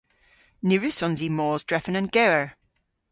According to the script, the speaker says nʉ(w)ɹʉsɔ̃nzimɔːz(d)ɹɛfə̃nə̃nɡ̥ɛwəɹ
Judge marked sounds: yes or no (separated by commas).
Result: no, yes